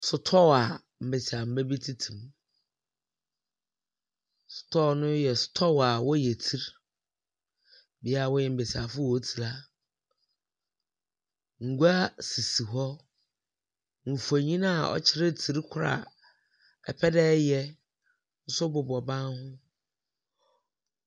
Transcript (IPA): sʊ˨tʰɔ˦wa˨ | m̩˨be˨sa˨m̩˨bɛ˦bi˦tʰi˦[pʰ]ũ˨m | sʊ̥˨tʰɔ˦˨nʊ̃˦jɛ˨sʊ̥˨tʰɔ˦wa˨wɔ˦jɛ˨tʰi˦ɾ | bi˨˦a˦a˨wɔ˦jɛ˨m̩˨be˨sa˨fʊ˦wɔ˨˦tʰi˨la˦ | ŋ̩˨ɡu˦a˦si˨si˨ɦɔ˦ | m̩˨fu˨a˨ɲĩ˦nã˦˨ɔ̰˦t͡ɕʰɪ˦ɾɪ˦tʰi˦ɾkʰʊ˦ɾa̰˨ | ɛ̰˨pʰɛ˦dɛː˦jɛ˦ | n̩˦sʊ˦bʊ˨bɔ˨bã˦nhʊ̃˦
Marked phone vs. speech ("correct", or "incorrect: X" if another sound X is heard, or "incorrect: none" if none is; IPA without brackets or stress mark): incorrect: tʰ